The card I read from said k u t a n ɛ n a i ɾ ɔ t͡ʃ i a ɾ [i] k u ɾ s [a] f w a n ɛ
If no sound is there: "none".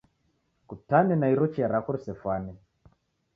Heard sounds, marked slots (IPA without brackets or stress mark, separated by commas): a, ɛ